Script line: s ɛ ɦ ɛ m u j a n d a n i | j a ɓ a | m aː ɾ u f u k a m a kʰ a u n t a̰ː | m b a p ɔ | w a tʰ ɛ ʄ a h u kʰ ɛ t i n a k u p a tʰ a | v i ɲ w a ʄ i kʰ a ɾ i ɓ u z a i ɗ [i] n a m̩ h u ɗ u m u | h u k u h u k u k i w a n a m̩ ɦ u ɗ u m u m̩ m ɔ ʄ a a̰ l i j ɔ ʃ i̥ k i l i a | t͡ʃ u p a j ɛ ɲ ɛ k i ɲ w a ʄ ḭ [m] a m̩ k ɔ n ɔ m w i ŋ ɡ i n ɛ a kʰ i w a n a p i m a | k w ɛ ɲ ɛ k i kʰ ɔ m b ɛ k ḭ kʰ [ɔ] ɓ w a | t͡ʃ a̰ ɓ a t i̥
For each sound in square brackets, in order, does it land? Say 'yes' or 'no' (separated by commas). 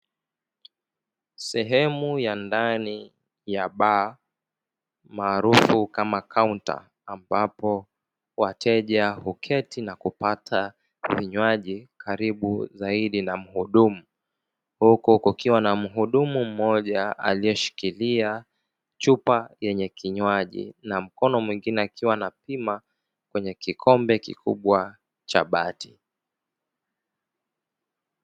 yes, no, no